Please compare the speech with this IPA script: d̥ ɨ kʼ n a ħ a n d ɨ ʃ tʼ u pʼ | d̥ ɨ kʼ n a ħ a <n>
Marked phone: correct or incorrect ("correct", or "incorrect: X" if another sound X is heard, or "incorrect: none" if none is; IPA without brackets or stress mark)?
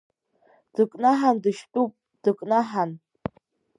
correct